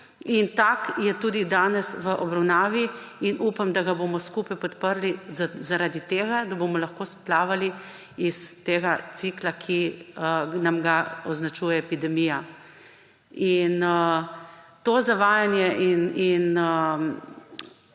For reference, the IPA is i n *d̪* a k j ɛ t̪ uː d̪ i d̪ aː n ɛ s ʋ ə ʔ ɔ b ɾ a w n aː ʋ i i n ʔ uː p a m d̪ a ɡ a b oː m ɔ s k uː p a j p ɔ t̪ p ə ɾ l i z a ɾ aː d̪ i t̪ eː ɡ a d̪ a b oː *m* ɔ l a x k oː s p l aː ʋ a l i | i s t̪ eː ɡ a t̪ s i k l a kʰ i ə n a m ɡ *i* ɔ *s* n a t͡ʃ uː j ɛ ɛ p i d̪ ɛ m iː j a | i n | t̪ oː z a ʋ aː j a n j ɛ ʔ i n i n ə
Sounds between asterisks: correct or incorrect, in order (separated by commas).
incorrect, correct, incorrect, incorrect